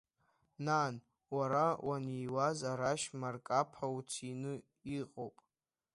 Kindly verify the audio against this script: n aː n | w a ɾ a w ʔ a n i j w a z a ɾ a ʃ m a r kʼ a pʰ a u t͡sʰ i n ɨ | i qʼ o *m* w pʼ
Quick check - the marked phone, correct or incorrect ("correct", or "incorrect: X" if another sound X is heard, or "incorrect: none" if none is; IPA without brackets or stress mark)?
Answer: incorrect: none